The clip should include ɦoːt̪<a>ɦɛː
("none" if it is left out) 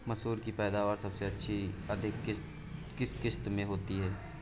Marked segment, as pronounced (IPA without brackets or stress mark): i